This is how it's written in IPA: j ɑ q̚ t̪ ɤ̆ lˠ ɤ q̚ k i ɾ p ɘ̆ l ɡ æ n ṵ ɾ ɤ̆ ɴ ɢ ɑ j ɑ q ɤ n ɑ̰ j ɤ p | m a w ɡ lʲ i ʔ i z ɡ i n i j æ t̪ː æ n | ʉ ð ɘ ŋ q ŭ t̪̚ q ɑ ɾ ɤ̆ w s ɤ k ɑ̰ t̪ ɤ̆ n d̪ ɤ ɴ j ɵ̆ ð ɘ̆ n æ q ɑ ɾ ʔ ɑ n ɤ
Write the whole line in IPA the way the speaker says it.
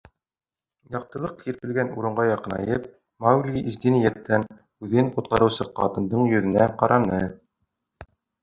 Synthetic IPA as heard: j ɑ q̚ t̪ ɤ̆ lˠ ɤ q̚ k i ɾ p ɘ̆ l ɡ æ n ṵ ɾ ɤ̆ ɴ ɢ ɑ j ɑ q ɤ n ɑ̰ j ɤ p | m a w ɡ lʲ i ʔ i z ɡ i n i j æ t̪ː æ n | ʉ ð ɘ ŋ q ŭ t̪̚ q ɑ ɾ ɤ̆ w s ɤ q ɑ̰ t̪ ɤ̆ n d̪ ɤ ɴ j ɵ̆ ð ɘ̆ n æ q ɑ ɾ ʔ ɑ n ɤ